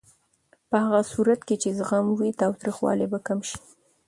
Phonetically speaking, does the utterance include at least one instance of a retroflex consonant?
no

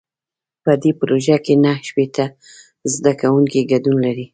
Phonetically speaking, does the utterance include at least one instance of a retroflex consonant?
no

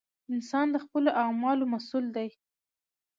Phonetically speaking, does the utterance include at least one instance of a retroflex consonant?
no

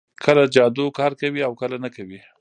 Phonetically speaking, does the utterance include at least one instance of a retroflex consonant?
no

